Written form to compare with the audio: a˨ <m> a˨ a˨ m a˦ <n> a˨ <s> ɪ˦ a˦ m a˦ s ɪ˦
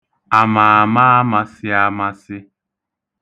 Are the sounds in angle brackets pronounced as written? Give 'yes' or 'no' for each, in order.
yes, no, yes

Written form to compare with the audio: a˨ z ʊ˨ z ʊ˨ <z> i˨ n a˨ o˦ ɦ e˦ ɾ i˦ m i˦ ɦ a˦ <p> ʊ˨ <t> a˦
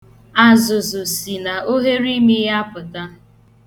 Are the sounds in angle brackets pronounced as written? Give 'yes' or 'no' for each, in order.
no, yes, yes

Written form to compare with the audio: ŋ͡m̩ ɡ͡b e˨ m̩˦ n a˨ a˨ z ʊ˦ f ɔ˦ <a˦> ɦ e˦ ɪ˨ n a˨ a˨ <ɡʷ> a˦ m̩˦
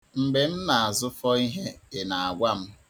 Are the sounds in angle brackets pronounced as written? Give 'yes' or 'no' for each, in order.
no, yes

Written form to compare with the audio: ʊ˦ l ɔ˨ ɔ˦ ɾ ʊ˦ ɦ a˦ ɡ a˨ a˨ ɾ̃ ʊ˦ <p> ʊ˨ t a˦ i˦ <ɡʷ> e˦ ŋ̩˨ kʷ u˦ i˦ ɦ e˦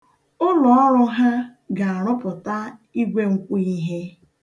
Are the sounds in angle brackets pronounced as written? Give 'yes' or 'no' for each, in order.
yes, yes

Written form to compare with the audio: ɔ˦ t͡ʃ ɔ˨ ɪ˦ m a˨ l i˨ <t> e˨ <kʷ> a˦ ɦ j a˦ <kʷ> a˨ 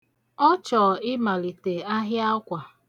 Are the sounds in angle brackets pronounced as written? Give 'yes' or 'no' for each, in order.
yes, no, yes

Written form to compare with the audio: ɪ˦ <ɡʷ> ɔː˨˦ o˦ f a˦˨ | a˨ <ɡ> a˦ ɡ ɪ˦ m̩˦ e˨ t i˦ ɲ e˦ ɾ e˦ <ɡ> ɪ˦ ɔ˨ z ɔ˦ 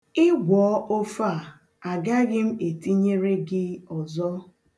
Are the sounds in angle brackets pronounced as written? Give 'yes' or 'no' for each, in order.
yes, yes, yes

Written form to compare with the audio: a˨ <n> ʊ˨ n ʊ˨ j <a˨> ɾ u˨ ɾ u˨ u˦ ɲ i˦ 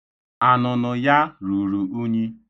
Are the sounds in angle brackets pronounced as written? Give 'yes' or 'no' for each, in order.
yes, no

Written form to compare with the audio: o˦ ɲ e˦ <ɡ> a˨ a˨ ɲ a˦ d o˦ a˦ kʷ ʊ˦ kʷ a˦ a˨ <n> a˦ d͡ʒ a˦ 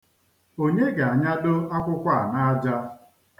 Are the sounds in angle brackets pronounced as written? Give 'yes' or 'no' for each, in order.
yes, yes

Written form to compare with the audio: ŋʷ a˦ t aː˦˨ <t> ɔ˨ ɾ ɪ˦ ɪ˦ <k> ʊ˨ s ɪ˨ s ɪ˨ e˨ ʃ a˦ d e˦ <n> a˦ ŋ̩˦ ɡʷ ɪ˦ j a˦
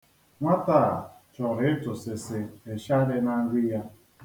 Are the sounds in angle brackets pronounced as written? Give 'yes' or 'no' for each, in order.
no, no, yes

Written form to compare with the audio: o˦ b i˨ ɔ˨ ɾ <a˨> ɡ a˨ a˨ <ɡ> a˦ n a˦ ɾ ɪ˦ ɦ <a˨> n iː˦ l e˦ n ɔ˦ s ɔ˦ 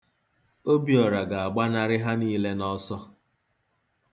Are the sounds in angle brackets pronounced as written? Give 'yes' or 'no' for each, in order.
yes, no, no

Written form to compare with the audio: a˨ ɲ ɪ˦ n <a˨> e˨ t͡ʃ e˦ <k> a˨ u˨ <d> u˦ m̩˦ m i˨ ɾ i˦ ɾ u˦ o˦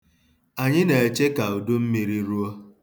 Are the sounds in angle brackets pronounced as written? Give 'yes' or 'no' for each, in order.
no, yes, yes

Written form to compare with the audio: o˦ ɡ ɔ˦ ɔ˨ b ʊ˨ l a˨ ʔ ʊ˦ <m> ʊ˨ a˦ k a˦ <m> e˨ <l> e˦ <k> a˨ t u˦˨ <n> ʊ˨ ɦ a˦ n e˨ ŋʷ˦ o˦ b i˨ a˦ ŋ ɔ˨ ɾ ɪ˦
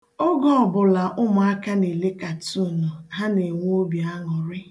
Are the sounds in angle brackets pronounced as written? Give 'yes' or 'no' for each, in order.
yes, no, yes, yes, yes

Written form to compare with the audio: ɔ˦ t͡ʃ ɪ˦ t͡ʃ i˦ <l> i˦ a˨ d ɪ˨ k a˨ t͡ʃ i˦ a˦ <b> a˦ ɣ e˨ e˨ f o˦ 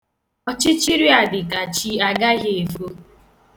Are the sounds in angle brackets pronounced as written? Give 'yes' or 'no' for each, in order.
no, no

